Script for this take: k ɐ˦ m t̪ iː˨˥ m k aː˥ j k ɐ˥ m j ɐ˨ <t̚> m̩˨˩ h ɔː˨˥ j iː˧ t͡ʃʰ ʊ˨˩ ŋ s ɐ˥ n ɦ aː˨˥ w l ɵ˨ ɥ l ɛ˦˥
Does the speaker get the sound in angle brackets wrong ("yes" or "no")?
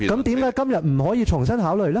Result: no